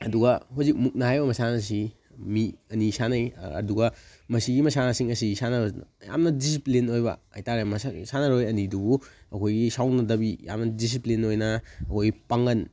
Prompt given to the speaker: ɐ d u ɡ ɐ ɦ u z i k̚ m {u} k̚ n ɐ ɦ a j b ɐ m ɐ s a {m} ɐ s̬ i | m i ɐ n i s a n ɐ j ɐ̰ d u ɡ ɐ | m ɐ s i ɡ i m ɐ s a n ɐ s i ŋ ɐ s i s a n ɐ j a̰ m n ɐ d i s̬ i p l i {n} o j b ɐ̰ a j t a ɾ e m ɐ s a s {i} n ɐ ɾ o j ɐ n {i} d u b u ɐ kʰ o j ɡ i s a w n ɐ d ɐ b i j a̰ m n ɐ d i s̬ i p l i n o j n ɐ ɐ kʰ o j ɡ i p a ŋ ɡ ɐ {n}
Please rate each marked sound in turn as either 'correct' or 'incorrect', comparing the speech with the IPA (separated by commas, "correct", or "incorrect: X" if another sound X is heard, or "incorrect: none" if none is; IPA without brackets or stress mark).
correct, incorrect: n, correct, incorrect: a, correct, correct